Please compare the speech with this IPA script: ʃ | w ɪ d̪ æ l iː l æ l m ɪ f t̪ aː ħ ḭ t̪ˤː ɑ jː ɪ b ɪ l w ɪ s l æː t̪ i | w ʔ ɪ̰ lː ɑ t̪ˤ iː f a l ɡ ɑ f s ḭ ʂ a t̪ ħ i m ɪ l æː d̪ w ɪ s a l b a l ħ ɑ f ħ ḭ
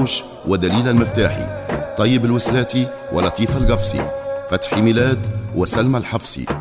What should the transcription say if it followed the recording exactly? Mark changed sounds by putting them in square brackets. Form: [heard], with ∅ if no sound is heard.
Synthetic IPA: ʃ | w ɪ d̪ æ l iː l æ l m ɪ f t̪ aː ħ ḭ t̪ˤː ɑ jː ɪ b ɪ l w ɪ s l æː t̪ i | w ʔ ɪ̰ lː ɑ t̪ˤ iː f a l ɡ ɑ f s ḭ [f] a t̪ ħ i m ɪ l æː d̪ w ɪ s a l [m] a l ħ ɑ f [s] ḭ